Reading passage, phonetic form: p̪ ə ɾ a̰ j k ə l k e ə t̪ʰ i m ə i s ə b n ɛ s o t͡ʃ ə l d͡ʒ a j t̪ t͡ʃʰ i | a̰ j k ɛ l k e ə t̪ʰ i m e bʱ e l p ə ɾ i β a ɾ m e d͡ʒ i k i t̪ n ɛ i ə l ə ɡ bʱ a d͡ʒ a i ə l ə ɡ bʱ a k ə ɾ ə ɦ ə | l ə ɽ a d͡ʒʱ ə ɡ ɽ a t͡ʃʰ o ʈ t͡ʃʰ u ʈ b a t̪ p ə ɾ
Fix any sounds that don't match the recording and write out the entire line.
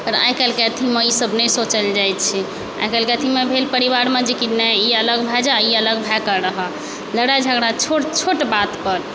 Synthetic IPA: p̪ ə ɾ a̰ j k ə l k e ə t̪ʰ i m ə i s ə b n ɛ s o t͡ʃ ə l d͡ʒ a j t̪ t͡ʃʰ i | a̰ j k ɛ l k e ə t̪ʰ i m e bʱ e l p ə ɾ i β a ɾ m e d͡ʒ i k i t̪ n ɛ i ə l ə ɡ bʱ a d͡ʒ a i ə l ə ɡ bʱ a k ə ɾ ə ɦ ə | l ə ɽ a d͡ʒʱ ə ɡ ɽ a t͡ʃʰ o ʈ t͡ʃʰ o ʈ b a t̪ p ə ɾ

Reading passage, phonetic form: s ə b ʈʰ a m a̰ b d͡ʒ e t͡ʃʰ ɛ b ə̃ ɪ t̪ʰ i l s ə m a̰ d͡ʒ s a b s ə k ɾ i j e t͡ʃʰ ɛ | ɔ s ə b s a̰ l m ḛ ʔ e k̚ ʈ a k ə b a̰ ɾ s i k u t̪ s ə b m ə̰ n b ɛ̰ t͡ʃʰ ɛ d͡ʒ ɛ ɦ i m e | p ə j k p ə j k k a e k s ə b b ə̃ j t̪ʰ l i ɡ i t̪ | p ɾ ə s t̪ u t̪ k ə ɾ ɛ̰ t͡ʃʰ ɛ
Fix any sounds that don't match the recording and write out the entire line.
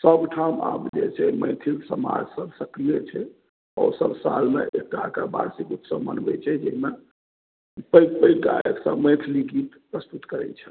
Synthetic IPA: s ə b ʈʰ a m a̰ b d͡ʒ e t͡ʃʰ ɛ m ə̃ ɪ t̪ʰ i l s ə m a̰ d͡ʒ s ə b s ə k ɾ i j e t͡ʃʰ ɛ | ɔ s ə b s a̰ l m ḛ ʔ e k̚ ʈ a k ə b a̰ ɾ s i k u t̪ s ə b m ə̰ n b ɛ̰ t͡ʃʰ ɛ d͡ʒ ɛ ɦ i m e | p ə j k p ə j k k a e k s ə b m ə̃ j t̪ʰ l i ɡ i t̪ | p ɾ ə s t̪ u t̪ k ə ɾ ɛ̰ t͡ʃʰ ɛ

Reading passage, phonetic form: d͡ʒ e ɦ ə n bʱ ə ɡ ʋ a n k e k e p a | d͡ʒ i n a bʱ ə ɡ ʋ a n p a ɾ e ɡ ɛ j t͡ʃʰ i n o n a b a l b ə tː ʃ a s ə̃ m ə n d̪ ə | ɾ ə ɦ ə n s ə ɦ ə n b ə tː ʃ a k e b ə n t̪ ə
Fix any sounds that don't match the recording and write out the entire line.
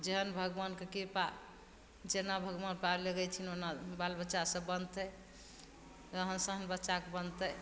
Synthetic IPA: d͡ʒ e ɦ ə n bʱ ə ɡ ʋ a n k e k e p a | d͡ʒ e n a bʱ ə ɡ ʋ a n p a l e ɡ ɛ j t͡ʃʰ i n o n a b a l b ə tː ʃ a s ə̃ b ə n t̪ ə | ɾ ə ɦ ə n s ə ɦ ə n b ə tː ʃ a k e b ə n t̪ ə

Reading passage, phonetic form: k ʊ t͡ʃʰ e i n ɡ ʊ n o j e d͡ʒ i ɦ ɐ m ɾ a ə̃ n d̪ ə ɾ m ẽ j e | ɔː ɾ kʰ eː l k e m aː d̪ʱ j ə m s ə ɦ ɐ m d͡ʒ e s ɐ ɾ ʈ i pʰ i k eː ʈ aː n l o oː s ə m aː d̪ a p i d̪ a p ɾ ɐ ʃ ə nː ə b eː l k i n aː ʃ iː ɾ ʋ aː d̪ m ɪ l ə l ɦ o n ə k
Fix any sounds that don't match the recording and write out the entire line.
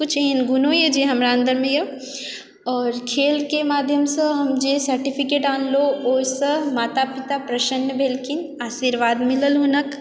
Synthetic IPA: k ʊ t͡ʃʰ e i n ɡ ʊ n o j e d͡ʒ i ɦ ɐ m ɾ a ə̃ n d̪ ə ɾ m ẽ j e | ɔː ɾ kʰ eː l k e m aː d̪ʱ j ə m s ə ɦ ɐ m d͡ʒ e s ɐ ɾ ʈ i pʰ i k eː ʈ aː n l o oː s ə m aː t̪ a p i t̪ a p ɾ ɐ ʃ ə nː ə b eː l k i n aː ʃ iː ɾ ʋ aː d̪ m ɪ l ə l ɦ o n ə k

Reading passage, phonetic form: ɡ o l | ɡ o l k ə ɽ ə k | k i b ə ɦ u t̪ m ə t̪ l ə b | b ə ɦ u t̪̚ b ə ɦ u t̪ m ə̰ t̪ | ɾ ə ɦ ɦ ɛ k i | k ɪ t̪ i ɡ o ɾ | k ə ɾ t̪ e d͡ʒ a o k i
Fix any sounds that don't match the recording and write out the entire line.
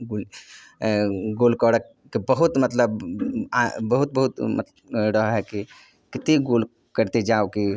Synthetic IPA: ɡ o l | ɡ o l k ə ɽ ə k | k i b ə ɦ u t̪ m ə t̪ l ə b | b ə ɦ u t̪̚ b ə ɦ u t̪ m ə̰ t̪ | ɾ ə ɦ ɦ ɛ k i | k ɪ t̪ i ɡ o l | k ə ɾ t̪ e d͡ʒ a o k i

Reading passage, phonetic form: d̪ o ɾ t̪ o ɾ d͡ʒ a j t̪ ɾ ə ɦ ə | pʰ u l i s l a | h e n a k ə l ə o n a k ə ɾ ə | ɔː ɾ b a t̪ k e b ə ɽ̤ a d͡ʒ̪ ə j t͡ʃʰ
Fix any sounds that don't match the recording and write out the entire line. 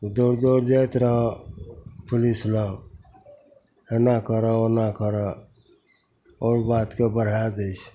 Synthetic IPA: d̪ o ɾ d̪ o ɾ d͡ʒ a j t̪ ɾ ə ɦ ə | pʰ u l i s l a | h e n a k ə ɾ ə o n a k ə ɾ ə | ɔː ɾ b a t̪ k e b ə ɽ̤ a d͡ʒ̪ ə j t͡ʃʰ

